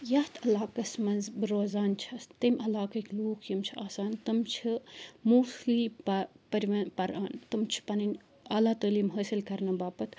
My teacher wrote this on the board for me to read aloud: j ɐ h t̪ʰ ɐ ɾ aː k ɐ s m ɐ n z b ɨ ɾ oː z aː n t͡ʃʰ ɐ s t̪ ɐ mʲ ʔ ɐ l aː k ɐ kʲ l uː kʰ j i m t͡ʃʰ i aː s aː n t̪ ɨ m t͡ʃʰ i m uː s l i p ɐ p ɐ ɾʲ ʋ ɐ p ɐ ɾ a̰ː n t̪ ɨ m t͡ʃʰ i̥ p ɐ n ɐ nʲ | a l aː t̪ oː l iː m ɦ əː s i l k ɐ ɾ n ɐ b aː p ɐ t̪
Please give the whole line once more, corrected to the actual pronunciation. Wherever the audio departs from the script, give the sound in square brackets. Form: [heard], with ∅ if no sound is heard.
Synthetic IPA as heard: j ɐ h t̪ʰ ɐ [l] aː k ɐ s m ɐ n z b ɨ ɾ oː z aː n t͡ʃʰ ɐ s t̪ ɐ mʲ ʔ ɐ l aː k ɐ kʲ l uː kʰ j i m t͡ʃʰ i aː s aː n t̪ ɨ m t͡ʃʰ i m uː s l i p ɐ p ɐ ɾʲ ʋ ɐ p ɐ ɾ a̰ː n t̪ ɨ m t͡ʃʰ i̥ p ɐ n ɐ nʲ | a l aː t̪ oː l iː m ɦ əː s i l k ɐ ɾ n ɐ b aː p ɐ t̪